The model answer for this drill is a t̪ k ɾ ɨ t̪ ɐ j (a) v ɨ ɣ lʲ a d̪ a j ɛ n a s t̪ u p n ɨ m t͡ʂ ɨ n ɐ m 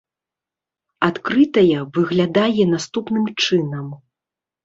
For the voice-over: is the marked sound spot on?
no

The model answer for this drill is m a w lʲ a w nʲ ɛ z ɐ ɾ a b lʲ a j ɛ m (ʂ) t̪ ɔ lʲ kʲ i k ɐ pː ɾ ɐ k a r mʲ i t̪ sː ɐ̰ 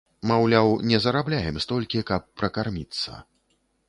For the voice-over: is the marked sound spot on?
no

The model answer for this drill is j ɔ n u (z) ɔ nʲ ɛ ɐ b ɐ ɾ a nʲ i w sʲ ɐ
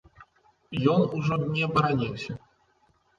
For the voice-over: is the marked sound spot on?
no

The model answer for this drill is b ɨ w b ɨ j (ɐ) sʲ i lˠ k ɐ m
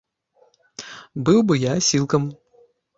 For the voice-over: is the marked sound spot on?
no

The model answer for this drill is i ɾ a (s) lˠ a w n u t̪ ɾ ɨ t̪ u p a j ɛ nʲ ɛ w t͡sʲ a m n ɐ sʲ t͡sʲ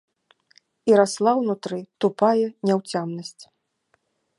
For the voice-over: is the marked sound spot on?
yes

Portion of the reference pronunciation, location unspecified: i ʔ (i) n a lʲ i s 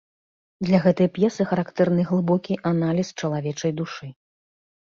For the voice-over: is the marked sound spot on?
no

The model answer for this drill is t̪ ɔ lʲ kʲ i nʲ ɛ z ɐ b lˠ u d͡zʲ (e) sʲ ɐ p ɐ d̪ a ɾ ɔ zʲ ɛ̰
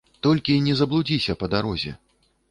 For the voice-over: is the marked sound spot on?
no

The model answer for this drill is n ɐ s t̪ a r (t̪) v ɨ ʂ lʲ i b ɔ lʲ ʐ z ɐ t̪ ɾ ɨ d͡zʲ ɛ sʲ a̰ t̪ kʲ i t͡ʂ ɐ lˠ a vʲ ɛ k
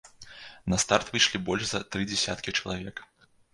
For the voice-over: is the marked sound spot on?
yes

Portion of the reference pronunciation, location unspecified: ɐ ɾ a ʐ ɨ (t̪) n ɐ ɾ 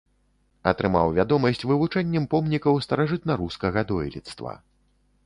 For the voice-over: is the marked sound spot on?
yes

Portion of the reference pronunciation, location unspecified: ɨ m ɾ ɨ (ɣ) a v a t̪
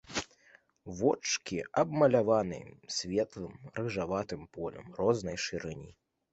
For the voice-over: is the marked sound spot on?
no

